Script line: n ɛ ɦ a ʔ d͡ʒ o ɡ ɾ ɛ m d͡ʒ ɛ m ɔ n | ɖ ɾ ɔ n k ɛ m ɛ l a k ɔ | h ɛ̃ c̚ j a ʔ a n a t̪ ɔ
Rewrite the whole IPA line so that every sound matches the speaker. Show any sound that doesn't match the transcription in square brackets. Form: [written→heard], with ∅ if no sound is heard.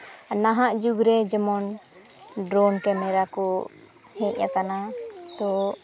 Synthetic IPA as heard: n [ɛ→a] ɦ a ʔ d͡ʒ [o→u] ɡ ɾ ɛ [m→∅] d͡ʒ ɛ m ɔ n | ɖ ɾ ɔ n k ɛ m ɛ [l→ɾ] a k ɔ | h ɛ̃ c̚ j a [ʔ→k] a n a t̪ ɔ